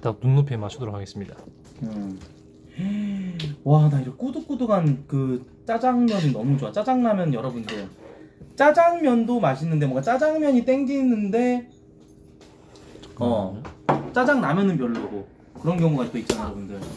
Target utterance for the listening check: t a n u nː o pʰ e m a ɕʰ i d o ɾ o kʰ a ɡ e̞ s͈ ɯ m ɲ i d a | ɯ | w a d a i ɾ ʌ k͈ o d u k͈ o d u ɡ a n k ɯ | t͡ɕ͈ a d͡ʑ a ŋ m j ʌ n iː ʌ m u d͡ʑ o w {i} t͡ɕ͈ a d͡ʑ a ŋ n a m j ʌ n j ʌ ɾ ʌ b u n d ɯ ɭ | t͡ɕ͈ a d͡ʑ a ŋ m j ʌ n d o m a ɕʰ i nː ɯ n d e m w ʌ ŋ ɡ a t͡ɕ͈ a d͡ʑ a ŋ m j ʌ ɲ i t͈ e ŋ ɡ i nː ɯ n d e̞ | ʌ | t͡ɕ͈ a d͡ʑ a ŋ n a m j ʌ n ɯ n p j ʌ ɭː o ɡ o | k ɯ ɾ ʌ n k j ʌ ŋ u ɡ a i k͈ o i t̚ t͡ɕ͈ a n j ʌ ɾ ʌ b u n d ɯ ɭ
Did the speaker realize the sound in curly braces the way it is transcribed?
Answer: no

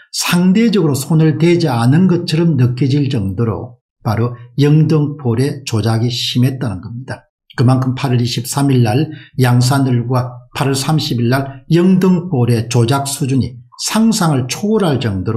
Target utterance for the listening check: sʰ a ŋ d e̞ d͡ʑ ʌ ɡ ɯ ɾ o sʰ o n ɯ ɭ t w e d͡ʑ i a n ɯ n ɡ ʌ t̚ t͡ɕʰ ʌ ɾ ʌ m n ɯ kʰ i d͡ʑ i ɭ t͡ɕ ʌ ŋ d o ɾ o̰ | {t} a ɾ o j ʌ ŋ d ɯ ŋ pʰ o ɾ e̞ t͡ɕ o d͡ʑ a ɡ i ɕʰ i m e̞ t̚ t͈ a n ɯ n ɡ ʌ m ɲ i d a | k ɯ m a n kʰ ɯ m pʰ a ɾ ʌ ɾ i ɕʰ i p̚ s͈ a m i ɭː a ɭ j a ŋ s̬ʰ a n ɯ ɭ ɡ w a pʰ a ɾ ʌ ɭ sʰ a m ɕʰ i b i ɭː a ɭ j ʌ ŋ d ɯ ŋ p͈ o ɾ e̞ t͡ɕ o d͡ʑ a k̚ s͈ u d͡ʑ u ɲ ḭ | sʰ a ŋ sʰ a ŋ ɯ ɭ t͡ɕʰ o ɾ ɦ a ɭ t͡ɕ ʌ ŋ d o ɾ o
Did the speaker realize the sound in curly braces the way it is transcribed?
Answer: no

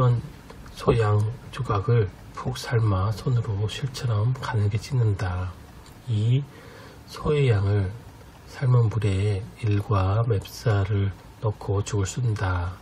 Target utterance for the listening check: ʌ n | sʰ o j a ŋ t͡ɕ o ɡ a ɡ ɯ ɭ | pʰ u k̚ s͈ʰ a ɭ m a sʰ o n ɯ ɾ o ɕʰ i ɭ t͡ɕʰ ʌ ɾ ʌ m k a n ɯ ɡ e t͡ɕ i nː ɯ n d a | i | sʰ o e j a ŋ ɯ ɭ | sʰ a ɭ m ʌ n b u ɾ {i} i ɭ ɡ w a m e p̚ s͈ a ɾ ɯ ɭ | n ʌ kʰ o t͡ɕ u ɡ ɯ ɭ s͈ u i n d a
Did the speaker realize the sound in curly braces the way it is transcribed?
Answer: no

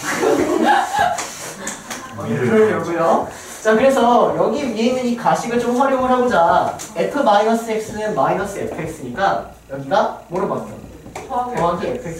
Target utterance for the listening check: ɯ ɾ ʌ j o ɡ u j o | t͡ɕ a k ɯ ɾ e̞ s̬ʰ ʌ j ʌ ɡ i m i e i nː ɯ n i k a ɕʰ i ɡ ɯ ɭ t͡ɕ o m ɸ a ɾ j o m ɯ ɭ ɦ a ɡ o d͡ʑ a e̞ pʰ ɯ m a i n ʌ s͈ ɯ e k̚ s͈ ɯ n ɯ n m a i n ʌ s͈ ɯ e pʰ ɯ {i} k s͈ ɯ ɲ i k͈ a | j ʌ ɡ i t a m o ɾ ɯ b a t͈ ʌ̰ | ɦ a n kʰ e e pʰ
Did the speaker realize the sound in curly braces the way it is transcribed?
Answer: no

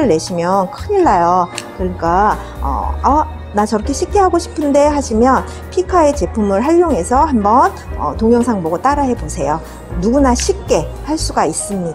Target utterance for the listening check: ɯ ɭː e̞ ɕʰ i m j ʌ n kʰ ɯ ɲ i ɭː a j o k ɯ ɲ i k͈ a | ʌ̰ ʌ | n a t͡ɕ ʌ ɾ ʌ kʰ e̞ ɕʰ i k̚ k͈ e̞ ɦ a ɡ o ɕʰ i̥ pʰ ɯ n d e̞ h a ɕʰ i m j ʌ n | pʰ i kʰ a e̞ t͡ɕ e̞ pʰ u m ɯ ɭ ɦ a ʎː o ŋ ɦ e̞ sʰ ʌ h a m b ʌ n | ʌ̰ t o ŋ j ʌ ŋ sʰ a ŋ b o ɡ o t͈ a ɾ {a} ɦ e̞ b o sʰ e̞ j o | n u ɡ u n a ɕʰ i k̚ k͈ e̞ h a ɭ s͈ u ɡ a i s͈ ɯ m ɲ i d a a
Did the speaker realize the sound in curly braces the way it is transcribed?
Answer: yes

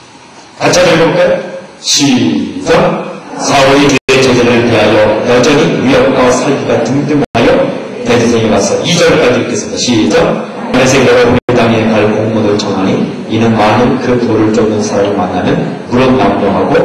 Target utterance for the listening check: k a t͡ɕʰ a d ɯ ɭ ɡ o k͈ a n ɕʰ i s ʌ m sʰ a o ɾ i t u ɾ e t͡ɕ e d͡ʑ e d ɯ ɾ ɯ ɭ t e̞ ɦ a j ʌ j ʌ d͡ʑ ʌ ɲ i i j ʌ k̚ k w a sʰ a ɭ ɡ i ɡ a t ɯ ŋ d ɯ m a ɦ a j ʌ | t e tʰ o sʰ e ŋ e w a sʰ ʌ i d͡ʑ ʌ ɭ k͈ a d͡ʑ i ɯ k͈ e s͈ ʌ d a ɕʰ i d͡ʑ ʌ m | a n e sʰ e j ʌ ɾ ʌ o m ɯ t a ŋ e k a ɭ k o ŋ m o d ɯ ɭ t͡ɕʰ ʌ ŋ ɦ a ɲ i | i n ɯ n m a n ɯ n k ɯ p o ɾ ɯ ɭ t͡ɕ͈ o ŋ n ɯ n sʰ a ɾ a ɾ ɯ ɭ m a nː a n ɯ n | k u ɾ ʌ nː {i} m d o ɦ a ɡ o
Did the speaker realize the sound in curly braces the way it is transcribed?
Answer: no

